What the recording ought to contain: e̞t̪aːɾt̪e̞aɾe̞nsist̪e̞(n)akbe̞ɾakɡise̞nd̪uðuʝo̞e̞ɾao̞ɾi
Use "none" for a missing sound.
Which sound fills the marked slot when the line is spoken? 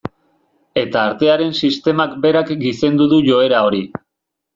m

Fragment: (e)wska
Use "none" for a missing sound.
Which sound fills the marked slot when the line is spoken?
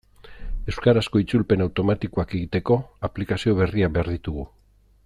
e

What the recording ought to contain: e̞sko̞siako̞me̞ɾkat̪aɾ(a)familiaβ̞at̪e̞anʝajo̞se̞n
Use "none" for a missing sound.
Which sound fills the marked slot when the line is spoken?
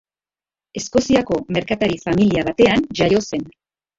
i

